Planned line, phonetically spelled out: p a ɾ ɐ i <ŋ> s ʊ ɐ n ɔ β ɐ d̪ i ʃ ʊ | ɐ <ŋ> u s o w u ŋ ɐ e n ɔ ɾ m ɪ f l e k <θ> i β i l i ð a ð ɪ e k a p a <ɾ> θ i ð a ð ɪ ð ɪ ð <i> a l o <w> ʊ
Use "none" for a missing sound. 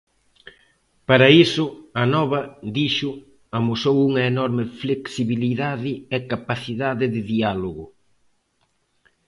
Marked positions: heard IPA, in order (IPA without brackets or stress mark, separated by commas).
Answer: none, m, s, none, i, ɣ